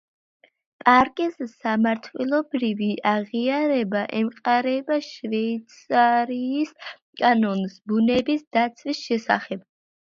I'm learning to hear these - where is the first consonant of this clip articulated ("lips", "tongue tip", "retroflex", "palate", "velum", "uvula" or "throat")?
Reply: lips